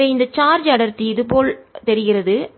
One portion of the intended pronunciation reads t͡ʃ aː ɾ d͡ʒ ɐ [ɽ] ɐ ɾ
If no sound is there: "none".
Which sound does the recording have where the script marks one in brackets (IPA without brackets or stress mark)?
ɽ